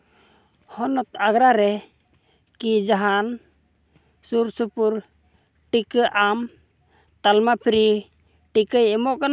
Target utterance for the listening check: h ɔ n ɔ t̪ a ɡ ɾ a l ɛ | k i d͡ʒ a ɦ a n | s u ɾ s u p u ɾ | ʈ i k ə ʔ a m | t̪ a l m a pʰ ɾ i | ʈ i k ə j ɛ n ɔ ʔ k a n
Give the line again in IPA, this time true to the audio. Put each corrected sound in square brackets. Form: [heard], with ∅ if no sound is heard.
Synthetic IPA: h ɔ n ɔ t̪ a ɡ ɾ a [ɾ] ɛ | k i d͡ʒ a ɦ a n | s u ɾ s u p u ɾ | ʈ i k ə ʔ a m | t̪ a l m a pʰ ɾ i | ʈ i k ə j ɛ [m] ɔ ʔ k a n